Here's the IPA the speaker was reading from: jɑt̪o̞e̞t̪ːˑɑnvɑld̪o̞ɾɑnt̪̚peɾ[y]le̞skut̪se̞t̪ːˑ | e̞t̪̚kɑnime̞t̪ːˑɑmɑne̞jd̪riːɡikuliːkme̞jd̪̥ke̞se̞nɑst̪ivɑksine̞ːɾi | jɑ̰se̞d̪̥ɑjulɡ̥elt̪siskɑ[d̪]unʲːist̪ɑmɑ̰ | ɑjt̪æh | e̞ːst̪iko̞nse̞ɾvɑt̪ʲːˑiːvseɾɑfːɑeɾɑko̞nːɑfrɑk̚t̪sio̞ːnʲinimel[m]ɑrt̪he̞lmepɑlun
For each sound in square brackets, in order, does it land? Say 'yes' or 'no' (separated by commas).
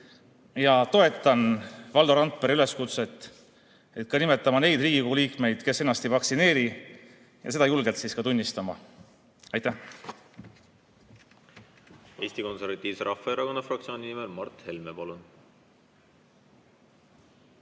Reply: yes, no, yes